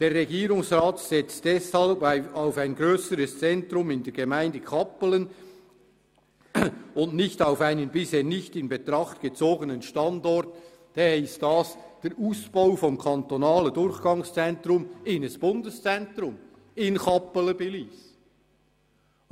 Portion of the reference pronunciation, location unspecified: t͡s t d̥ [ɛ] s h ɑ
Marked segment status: correct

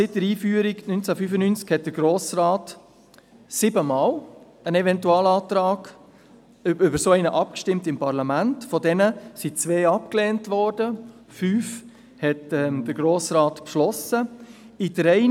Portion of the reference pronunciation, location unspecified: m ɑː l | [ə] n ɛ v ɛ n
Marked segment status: correct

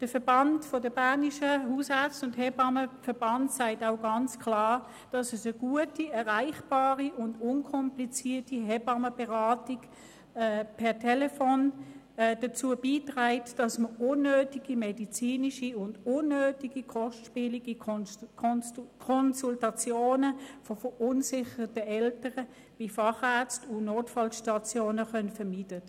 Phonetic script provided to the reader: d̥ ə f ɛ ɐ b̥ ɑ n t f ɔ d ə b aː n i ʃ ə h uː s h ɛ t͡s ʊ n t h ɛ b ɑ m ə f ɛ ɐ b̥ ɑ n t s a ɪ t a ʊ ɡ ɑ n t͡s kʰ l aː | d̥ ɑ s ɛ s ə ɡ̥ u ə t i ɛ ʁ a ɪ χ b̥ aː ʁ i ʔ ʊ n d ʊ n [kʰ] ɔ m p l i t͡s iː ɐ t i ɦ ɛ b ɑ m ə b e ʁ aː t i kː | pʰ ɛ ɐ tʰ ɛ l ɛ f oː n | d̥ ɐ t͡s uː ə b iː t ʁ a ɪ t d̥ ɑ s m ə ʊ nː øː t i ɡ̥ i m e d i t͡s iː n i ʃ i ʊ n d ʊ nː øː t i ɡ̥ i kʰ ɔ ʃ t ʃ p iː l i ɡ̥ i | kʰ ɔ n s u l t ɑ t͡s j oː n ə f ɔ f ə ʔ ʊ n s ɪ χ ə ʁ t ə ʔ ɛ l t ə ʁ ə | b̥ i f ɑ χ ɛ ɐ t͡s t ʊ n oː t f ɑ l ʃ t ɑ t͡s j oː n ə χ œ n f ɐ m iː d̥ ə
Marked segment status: correct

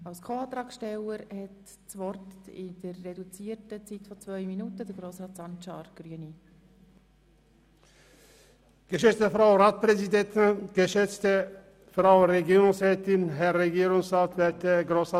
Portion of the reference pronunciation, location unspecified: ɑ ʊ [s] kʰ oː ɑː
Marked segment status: correct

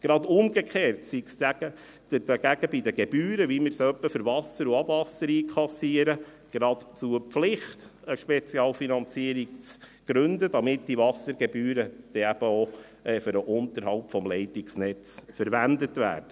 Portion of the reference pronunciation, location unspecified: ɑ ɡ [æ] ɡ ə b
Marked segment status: correct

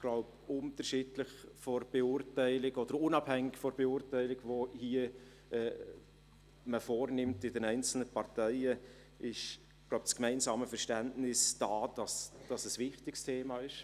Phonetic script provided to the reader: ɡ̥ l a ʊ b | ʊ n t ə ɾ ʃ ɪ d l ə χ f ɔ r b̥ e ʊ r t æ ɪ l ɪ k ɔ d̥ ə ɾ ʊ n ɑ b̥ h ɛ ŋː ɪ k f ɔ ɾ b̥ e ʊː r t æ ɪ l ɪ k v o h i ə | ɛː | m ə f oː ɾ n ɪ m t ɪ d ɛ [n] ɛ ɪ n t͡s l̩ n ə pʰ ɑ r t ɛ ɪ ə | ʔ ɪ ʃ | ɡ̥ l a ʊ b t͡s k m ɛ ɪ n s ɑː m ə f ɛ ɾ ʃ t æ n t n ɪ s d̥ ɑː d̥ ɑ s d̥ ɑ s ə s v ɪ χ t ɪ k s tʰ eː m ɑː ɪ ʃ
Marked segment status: correct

